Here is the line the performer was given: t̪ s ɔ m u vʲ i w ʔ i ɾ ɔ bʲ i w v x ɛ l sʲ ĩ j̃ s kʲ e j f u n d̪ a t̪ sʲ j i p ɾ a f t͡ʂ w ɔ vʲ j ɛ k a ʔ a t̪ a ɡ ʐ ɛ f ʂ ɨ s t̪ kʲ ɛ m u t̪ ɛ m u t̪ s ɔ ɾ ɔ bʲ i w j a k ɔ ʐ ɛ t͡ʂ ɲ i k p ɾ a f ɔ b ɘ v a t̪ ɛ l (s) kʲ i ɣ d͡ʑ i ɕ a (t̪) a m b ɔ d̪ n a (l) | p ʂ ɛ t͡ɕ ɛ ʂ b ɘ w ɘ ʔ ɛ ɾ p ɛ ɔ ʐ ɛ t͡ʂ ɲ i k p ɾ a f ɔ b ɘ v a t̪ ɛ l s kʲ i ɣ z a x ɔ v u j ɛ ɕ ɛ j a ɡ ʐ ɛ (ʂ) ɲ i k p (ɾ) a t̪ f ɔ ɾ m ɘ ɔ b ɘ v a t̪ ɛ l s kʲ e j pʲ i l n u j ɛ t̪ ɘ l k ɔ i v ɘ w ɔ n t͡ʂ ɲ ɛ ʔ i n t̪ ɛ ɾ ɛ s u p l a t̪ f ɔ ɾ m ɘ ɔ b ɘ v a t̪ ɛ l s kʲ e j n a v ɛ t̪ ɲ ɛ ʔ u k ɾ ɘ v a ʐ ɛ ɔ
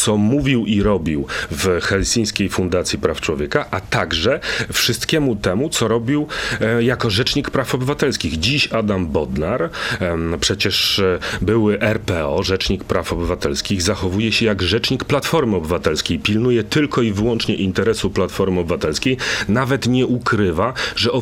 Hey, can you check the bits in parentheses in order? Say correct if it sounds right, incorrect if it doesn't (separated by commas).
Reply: correct, incorrect, incorrect, incorrect, incorrect